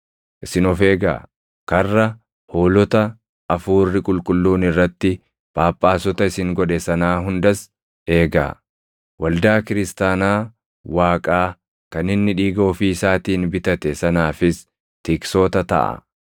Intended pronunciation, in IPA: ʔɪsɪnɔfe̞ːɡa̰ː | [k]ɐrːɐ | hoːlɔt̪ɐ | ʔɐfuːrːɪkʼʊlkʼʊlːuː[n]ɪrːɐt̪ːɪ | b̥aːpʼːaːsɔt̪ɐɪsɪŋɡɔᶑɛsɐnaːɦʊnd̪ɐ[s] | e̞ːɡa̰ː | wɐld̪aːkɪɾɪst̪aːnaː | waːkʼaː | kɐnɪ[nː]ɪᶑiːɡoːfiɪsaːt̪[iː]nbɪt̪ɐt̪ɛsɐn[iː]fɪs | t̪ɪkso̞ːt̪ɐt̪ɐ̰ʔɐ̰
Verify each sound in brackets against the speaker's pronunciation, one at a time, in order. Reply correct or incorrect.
correct, correct, correct, correct, correct, incorrect

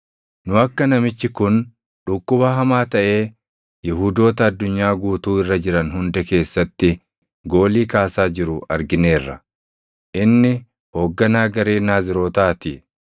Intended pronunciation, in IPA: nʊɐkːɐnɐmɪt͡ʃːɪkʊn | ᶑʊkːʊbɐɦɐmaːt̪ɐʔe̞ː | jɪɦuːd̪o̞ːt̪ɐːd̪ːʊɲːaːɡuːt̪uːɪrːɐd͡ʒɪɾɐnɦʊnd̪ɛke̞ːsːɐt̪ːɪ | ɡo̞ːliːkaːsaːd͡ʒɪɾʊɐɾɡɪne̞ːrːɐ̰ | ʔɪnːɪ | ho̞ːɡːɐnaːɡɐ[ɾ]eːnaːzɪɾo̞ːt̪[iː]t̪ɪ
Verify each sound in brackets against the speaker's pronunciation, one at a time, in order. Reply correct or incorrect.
correct, incorrect

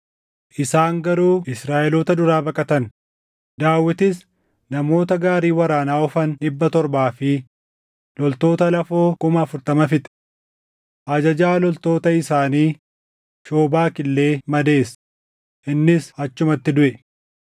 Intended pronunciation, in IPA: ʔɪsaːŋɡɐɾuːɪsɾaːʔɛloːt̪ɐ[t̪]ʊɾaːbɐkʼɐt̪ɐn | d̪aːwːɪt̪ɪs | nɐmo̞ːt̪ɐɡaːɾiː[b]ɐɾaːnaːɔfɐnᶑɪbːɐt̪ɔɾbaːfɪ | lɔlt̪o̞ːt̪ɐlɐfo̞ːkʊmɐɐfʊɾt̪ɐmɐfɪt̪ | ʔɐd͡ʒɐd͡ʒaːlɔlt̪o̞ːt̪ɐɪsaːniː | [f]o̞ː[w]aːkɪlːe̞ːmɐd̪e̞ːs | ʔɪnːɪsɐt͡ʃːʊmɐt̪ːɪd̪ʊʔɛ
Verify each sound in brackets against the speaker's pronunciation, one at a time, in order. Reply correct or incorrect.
incorrect, incorrect, incorrect, incorrect

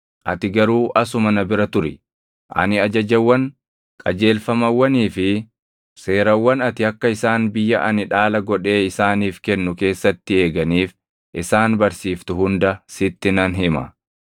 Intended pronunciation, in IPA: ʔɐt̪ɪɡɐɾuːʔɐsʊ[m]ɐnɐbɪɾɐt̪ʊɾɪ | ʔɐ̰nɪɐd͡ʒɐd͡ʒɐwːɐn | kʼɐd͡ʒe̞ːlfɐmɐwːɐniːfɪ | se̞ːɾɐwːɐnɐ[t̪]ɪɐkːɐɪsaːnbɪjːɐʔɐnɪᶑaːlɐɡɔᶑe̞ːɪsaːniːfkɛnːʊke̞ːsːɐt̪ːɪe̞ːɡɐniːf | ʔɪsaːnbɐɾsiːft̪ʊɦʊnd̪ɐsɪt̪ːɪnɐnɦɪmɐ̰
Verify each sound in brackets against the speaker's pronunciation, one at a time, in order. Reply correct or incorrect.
correct, correct

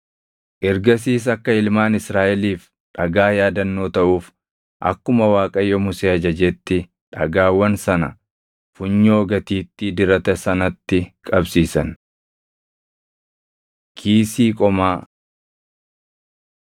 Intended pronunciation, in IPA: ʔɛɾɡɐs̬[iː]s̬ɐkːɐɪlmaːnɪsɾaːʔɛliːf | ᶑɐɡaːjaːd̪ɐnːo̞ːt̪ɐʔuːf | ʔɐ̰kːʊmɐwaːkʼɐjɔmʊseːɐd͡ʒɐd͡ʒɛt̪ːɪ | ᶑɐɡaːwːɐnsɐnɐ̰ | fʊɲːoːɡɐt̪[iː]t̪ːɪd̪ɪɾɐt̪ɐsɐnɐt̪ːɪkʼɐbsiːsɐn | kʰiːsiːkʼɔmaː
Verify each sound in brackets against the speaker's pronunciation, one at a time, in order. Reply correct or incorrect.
correct, correct

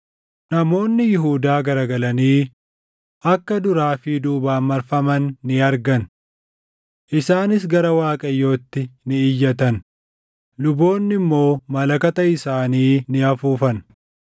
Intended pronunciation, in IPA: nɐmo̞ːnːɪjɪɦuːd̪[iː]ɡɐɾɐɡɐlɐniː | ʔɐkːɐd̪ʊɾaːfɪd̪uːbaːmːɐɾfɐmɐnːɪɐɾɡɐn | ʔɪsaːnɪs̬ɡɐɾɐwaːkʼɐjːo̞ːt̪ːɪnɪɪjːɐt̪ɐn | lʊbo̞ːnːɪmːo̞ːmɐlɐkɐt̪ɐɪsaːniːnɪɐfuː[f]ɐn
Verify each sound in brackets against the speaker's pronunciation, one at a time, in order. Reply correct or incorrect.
incorrect, correct

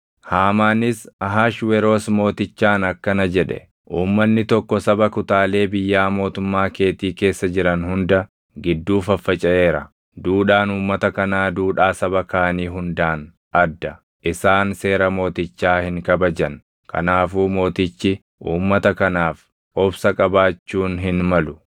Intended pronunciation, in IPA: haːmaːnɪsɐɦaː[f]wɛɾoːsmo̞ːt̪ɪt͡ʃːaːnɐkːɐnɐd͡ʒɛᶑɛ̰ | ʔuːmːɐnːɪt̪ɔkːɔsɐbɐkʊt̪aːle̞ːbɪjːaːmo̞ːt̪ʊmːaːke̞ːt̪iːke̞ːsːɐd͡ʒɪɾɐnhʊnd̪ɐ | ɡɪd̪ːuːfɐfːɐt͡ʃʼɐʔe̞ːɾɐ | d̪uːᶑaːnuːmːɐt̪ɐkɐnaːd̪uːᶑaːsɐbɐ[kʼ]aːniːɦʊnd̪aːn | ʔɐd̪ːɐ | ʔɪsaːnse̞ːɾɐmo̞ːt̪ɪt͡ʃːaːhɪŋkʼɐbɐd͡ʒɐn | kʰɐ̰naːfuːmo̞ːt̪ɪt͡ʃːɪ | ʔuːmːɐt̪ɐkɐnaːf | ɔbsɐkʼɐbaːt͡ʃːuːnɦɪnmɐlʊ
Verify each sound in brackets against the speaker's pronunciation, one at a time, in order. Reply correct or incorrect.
incorrect, incorrect

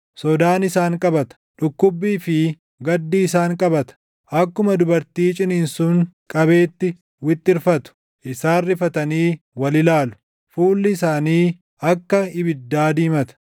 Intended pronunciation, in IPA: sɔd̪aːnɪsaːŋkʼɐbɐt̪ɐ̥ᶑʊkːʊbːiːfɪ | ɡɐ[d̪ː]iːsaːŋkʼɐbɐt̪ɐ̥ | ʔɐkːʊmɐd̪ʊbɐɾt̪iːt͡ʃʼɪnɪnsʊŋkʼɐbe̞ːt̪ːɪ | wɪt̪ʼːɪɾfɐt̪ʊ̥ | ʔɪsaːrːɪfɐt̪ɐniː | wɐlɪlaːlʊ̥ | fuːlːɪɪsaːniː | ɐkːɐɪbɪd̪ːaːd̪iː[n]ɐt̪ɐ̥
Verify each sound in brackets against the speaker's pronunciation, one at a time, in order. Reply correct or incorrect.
correct, incorrect

